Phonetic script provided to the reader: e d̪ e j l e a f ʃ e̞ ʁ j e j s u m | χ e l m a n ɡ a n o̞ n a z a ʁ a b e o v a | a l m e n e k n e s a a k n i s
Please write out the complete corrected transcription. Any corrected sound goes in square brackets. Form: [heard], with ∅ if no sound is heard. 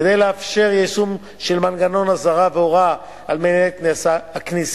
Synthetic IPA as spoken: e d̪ e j l e a f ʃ e̞ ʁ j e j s u m | [ʃ] e l m a n ɡ a n o̞ n a z a ʁ a [v] e o [ʁ] a | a l m e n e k n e s a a k n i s